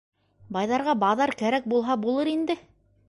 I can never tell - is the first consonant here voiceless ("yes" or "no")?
no